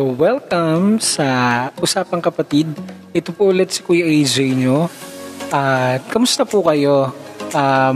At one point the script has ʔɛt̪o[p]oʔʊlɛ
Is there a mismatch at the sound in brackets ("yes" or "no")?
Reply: no